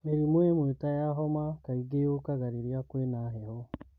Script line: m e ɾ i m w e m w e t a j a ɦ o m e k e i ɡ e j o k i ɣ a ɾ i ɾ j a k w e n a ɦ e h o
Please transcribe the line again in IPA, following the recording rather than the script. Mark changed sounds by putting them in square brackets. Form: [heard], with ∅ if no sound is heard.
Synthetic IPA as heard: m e ɾ i m w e m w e t a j a ɦ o m [a] k [a] i ɡ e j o k [a] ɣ a ɾ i ɾ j a k w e n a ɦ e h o